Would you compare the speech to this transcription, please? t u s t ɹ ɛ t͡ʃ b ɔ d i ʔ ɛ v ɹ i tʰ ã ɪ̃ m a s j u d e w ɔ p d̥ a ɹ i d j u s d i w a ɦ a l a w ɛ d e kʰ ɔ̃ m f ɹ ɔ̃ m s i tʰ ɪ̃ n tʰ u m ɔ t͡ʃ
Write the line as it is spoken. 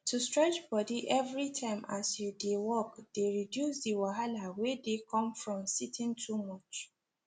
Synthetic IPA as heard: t u s t ɹ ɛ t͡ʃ b ɔ d i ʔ ɛ v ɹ i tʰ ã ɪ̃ m a s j u d e w ɔ k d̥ e ɹ i d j u s d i w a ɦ a l a w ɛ d e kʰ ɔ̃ m f ɹ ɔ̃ m s i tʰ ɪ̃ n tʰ u m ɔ t͡ʃ